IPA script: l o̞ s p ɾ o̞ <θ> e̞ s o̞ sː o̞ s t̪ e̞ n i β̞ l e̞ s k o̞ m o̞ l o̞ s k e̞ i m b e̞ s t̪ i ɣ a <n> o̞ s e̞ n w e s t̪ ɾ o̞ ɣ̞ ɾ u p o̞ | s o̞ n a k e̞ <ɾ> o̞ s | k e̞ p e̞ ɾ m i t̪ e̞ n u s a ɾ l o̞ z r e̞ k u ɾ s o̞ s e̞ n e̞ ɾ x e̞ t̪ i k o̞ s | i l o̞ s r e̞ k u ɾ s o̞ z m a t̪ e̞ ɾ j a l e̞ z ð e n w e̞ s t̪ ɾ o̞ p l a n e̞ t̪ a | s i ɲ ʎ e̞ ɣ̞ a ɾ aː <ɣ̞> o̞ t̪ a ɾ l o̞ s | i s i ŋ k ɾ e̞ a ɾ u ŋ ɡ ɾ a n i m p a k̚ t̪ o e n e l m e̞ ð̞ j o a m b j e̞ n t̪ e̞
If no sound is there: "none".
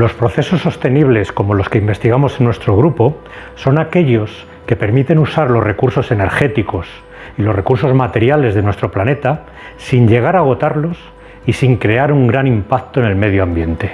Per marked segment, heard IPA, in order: θ, m, ʎ, ɣ̞

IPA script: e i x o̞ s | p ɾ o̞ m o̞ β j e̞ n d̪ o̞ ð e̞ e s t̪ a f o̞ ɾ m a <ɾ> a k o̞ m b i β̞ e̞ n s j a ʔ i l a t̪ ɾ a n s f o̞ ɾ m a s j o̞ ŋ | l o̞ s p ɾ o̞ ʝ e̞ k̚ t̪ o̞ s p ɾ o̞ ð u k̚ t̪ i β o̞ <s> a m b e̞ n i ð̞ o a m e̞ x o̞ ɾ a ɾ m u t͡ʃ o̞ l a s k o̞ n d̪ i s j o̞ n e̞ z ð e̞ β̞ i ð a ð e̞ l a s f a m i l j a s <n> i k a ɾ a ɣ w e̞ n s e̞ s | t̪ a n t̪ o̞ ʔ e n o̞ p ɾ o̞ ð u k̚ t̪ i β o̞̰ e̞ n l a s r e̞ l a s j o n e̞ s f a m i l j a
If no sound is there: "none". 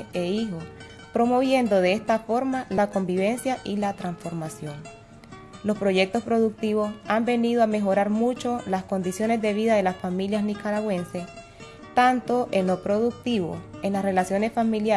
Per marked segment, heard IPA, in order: l, s, n

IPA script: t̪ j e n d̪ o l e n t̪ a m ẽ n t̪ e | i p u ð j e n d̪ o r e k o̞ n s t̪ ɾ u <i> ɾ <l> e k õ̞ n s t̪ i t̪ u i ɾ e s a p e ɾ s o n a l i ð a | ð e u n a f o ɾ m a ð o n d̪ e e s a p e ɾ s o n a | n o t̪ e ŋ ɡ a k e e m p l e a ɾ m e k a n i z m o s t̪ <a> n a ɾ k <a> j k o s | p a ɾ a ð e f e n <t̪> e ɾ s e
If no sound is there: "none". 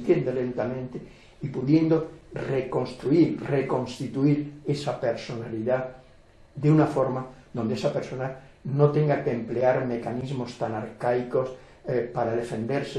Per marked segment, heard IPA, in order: i, r, a, a, d̪

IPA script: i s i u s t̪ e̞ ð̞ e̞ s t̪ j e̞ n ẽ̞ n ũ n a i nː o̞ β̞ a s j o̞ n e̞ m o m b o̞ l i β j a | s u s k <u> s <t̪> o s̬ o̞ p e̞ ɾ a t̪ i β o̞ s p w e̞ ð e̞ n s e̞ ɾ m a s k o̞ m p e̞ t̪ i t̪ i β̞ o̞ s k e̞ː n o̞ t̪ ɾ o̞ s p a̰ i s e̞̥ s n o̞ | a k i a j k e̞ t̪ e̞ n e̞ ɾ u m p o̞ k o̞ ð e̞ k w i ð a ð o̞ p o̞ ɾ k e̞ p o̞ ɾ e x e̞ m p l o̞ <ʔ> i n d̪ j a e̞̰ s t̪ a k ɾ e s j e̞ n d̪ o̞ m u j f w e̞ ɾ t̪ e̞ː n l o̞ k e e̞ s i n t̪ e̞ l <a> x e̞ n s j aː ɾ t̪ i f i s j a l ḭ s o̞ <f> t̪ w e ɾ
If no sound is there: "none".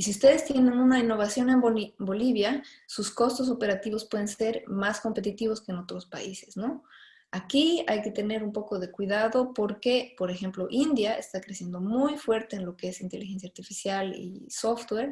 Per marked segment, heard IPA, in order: o, t̪, ʔ, i, f

